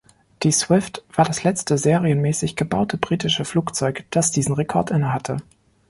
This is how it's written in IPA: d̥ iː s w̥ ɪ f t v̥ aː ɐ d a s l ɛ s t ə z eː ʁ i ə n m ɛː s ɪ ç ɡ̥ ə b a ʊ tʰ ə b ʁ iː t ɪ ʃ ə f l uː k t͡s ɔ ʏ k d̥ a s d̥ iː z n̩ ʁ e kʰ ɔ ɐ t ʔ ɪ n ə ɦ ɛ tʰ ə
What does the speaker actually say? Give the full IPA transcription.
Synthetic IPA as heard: d̥ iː s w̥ ɪ f t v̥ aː ɐ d a s l ɛ t͡s t ə z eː ʁ i ə n m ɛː s ɪ ç ɡ̥ ə b a ʊ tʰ ə b ʁ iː t ɪ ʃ ə f l uː k t͡s ɔ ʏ k d̥ a s d̥ iː z n̩ ʁ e kʰ ɔ ɐ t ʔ ɪ n ə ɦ a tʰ ə